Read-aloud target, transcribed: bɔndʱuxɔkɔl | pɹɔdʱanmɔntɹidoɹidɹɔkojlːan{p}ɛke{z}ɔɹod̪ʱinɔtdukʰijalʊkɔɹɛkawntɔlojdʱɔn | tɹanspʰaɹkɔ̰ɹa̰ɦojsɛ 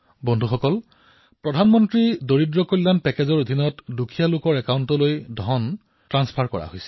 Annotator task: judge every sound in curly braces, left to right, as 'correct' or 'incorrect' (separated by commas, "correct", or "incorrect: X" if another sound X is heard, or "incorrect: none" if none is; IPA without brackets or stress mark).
correct, correct